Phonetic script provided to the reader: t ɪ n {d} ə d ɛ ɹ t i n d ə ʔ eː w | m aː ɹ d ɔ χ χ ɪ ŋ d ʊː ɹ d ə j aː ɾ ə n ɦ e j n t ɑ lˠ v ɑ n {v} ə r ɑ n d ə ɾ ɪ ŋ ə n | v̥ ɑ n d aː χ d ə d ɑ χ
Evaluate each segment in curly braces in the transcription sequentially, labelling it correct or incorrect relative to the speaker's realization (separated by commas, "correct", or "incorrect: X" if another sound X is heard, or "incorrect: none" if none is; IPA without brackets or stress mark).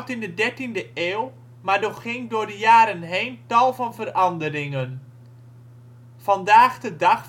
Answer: correct, correct